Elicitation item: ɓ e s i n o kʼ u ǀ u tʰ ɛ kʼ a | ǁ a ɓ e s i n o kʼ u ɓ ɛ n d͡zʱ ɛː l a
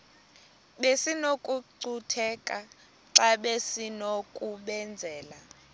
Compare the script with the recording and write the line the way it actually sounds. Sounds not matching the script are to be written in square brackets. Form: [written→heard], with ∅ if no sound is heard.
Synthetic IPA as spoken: ɓ e s i n o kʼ u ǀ u tʰ ɛ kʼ a | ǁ a ɓ e s i n o kʼ u ɓ ɛ n d͡zʱ ɛː l a